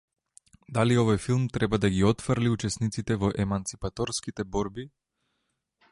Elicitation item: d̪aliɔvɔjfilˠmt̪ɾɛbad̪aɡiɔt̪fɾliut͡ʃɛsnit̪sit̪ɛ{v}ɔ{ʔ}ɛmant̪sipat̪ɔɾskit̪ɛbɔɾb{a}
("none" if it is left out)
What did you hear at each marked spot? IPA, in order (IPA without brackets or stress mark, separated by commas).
v, ʔ, i